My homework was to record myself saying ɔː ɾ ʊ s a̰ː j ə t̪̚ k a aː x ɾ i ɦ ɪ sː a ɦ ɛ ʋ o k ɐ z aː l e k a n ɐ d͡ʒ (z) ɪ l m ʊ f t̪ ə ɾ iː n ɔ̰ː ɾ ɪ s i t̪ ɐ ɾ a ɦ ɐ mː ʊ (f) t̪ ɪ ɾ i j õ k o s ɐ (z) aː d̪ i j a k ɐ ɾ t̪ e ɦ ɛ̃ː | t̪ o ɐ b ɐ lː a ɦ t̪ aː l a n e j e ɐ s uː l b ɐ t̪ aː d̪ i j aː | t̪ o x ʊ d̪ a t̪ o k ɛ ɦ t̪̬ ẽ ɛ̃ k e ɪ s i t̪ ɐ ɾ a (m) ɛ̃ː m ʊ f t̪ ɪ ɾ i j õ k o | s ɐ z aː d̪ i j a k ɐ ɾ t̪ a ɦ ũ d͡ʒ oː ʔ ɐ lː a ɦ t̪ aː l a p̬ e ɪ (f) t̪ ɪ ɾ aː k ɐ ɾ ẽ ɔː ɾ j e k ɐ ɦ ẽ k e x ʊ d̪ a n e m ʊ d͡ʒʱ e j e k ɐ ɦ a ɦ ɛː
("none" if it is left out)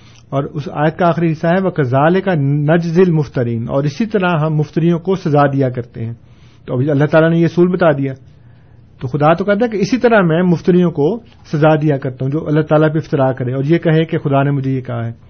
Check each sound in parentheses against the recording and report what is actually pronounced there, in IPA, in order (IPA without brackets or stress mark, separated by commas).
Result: z, f, z, m, f